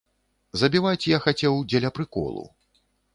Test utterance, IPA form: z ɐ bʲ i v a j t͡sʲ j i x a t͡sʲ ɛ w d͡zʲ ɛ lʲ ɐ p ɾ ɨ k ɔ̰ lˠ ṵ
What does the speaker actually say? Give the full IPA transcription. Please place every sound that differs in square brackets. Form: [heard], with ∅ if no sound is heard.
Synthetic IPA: z ɐ bʲ i v a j t͡sʲ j [a] x a t͡sʲ ɛ w d͡zʲ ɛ lʲ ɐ p ɾ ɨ k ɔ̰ lˠ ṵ